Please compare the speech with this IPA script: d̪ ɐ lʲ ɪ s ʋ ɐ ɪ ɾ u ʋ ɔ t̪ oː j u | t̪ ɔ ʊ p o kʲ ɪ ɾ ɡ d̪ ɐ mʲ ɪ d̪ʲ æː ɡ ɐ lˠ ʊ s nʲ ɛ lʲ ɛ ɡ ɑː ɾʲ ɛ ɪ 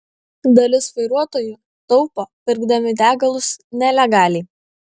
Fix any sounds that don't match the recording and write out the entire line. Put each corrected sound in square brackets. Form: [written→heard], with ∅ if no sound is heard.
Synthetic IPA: d̪ ɐ lʲ ɪ s ʋ ɐ ɪ ɾ u [ʋ→∅] ɔ t̪ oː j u | t̪ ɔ ʊ p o [kʲ→pʲ] ɪ ɾ ɡ d̪ ɐ mʲ ɪ d̪ʲ æː ɡ ɐ lˠ ʊ s nʲ ɛ lʲ ɛ ɡ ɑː [ɾʲ→lʲ] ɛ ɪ